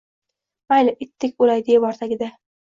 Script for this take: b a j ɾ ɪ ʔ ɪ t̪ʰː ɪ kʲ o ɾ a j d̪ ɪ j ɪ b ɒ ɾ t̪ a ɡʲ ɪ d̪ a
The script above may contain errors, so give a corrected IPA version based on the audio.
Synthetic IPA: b a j l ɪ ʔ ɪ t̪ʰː ɪ kʲ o l a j d̪ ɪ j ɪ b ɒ ɾ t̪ a ɡʲ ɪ d̪ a